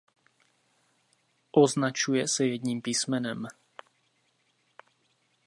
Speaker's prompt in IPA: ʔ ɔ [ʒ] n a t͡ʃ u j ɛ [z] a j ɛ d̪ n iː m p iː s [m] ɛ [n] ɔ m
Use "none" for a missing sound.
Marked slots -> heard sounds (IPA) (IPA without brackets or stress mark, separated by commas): z, s, m, n